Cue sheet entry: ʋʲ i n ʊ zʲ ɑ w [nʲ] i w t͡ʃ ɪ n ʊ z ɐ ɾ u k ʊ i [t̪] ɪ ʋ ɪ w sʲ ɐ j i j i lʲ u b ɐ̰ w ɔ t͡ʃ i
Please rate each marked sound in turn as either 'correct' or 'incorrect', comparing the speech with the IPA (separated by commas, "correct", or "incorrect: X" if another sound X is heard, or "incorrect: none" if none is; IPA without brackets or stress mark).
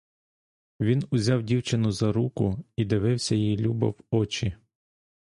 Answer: incorrect: dʲ, incorrect: d̪